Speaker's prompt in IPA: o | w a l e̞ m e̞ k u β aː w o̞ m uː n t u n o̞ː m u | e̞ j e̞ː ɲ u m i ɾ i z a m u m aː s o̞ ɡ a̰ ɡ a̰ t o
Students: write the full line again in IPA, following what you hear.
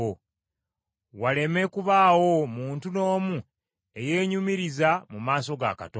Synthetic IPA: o | w a l e̞ m e̞ k u β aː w o̞ m uː n t u n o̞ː m u | e̞ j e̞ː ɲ u m i ɾ i z a m u m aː s o̞ ɡ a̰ k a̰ t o